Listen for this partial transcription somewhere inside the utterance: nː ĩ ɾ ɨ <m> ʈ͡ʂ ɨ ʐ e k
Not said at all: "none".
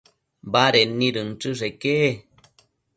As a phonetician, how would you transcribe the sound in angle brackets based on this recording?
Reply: n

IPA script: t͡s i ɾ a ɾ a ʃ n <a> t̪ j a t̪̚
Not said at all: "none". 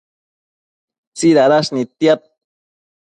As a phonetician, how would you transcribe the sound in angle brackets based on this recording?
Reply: i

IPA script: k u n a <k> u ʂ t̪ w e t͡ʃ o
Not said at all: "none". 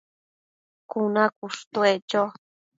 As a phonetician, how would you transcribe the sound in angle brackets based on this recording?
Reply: k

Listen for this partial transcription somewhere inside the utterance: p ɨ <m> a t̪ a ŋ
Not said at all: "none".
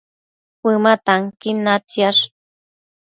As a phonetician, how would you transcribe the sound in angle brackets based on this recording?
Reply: m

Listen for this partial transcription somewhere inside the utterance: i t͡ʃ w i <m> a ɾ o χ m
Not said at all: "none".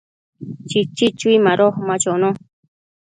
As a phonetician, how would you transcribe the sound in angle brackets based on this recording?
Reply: m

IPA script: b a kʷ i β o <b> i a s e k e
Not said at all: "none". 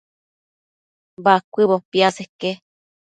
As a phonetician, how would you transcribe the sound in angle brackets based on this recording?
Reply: p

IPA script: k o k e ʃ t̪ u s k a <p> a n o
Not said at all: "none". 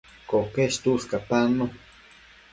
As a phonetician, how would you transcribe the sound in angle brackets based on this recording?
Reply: p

